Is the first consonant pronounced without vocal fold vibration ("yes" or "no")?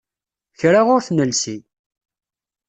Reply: yes